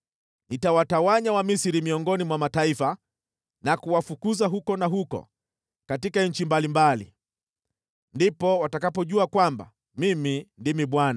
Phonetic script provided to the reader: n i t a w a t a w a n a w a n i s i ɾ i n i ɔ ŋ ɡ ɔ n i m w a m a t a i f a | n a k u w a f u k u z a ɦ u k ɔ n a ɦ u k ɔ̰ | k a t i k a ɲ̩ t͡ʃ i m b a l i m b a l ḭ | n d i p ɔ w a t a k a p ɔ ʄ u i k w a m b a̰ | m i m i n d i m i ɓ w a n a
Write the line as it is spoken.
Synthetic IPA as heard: n i t a w a t a w a ɲ a w a m i s i ɾ i m i ɔ ŋ ɡ ɔ n i m w a m a t a i f a | n a k u w a f u k u z a ɦ u k ɔ n a ɦ u k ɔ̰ | k a t i k a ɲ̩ t͡ʃ i m b a l i m b a l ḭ | n d i p ɔ w a t a k a p ɔ ʄ u a k w a m b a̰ | m i m i n d i m i ɓ w a n a